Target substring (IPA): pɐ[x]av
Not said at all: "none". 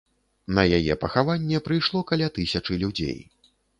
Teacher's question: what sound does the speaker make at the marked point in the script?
x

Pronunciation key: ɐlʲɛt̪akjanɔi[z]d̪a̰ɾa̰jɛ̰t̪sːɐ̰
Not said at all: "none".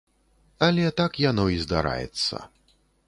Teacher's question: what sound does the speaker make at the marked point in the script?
z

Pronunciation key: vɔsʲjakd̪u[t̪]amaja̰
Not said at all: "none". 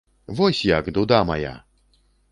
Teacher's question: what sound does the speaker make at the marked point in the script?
d̪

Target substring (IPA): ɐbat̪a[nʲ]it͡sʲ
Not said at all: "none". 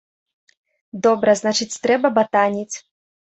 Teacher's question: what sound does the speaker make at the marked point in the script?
nʲ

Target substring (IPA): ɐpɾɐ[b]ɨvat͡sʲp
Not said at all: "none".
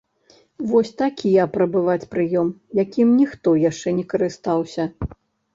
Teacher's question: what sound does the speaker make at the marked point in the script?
b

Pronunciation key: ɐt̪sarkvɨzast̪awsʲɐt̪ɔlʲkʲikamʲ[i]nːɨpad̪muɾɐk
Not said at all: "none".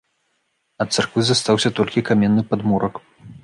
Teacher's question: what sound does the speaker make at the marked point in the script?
ɛ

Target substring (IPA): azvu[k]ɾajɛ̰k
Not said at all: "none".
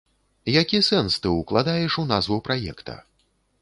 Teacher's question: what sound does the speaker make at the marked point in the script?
p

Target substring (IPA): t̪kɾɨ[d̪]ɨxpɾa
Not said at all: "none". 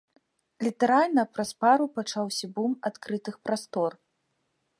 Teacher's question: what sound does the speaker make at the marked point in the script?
t̪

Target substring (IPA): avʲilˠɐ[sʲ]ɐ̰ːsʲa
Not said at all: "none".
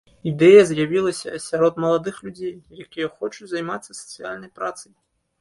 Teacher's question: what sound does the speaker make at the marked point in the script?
sʲ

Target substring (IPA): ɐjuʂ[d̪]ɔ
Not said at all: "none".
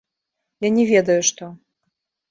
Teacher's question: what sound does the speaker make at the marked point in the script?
t̪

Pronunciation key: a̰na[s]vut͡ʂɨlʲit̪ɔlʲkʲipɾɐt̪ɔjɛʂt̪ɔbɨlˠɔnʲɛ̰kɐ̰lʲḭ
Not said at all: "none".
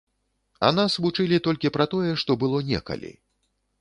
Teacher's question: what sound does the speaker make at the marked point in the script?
s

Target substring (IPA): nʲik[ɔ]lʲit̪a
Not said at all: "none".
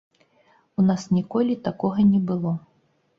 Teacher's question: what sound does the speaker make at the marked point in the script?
ɔ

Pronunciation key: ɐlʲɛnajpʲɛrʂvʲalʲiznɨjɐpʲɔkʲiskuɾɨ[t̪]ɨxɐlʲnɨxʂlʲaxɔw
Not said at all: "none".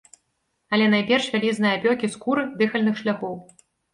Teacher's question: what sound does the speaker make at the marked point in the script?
d̪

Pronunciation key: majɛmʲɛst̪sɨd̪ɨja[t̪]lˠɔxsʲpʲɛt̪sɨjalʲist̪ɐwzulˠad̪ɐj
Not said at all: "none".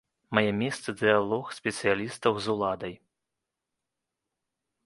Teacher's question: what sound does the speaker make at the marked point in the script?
none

